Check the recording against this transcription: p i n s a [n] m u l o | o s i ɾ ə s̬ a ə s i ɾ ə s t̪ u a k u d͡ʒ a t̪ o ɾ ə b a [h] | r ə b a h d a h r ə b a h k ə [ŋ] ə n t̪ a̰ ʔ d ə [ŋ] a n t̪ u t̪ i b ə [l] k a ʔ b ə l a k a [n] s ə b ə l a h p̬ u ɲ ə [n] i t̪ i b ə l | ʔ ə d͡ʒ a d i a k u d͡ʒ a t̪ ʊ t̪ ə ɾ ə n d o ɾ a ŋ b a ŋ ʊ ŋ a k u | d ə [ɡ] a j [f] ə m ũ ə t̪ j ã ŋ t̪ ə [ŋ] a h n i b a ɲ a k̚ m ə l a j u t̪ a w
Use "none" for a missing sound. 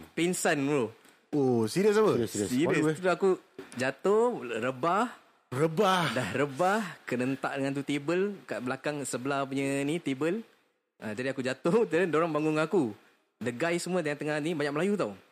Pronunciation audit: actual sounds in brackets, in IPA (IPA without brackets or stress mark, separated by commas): n, h, n, ŋ, l, ŋ, n, ɡ, s, ŋ